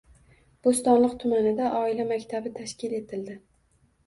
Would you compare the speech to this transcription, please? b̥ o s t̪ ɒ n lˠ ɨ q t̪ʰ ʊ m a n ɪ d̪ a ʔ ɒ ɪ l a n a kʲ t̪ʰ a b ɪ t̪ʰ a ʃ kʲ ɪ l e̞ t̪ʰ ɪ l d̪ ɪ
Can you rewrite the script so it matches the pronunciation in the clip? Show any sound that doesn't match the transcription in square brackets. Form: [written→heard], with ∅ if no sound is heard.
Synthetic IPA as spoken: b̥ o s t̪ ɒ n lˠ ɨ q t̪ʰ ʊ m a n ɪ d̪ a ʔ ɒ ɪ l a [n→m] a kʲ t̪ʰ a b ɪ t̪ʰ a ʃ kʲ ɪ l e̞ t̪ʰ ɪ l d̪ ɪ